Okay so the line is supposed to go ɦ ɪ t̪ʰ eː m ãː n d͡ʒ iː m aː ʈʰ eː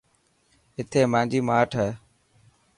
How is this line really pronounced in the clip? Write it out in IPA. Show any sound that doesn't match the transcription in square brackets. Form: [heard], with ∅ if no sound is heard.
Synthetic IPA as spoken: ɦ ɪ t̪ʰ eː m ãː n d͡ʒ iː m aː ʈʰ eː

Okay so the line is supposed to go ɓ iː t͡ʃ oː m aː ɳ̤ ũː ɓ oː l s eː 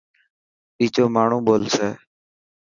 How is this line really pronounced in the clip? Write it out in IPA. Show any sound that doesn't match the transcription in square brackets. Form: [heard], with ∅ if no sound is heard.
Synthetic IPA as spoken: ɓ iː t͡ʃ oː m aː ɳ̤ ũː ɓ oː l s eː

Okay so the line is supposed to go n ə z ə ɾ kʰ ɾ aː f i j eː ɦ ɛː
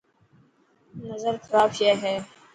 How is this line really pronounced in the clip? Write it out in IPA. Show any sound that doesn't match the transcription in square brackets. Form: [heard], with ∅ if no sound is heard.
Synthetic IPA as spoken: n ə z ə ɾ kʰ ɾ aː f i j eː ɦ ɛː

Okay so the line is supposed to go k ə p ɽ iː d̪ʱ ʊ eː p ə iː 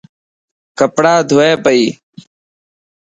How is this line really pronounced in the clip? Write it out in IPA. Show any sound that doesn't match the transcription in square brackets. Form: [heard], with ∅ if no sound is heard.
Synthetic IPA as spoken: k ə p ɽ [aː] d̪ʱ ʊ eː p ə iː

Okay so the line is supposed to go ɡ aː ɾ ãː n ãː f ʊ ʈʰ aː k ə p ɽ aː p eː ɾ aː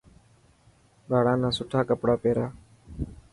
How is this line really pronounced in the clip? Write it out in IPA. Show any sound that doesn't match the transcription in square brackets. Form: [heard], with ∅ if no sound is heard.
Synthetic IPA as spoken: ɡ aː [ɽ] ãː n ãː [s] ʊ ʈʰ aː k ə p ɽ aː p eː ɾ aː

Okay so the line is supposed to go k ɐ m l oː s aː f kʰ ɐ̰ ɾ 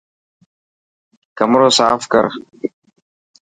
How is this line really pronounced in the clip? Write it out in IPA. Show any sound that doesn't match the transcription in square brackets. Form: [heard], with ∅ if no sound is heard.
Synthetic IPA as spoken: k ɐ m [ɾ] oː s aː f [k] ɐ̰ ɾ

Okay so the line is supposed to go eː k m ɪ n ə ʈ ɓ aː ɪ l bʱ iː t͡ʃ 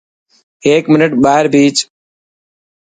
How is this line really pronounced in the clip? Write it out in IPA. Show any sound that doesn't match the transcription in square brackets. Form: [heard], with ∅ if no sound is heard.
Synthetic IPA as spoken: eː k m ɪ n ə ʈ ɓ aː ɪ [ɾ] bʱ iː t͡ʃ

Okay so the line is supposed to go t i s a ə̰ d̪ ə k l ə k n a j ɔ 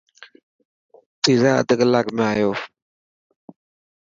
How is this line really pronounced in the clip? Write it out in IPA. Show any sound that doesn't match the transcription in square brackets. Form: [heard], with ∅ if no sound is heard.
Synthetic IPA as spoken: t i [z] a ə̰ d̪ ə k l [a] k [m] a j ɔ

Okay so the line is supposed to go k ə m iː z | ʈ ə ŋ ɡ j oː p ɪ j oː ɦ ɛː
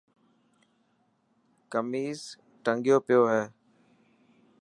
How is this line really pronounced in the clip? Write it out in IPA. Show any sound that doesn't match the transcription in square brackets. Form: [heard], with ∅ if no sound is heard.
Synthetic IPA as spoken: k ə m iː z | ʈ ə ŋ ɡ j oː p ɪ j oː ɦ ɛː

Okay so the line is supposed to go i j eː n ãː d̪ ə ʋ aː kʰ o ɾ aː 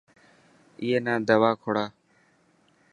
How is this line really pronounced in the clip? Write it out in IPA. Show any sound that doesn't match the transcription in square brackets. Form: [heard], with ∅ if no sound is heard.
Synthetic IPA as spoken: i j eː n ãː d̪ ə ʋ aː kʰ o [ɽ] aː

